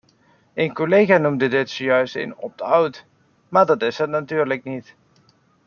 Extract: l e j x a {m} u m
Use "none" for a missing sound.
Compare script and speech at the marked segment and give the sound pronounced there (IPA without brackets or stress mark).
n